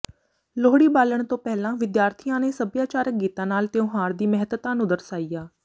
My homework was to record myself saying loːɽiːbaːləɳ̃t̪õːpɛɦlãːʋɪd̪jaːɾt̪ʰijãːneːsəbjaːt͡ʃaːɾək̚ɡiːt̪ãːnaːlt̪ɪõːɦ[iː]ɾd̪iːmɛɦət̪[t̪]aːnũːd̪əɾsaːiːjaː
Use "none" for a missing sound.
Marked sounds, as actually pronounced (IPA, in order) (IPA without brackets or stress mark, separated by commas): aː, t̪